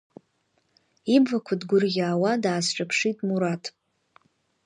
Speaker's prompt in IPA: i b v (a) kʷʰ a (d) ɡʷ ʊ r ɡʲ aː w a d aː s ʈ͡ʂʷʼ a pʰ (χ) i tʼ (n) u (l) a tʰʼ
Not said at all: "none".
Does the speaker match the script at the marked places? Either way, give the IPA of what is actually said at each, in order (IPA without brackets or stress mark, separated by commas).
a, d, ʂ, m, ɾ